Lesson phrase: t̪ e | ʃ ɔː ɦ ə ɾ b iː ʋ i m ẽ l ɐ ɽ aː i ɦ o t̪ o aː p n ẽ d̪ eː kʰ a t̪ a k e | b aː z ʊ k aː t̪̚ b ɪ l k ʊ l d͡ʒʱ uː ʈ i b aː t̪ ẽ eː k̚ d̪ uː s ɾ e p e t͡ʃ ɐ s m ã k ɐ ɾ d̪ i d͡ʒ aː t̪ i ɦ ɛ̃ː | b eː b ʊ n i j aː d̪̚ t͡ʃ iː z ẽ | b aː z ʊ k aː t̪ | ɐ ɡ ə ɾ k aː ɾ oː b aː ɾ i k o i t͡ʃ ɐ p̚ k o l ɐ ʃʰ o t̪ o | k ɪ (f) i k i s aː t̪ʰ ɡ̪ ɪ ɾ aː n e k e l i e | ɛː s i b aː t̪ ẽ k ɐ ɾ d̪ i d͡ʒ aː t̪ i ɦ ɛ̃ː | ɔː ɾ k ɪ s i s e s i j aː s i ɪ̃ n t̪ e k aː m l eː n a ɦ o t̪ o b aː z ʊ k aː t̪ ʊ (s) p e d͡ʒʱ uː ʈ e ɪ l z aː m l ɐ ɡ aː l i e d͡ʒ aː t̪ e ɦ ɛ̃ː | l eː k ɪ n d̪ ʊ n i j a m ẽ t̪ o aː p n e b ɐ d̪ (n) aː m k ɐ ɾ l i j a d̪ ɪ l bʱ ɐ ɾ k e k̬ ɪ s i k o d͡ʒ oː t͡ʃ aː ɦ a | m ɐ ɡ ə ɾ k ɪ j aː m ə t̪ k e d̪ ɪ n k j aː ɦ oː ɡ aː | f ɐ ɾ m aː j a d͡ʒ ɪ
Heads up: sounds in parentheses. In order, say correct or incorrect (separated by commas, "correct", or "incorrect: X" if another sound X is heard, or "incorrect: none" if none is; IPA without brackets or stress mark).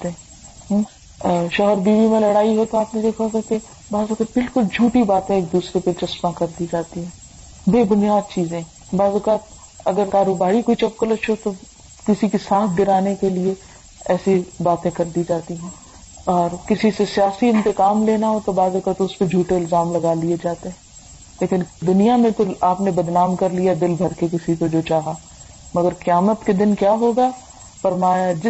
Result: incorrect: s, correct, correct